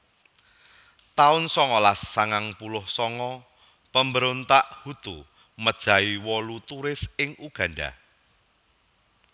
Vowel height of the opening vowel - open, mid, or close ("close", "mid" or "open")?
open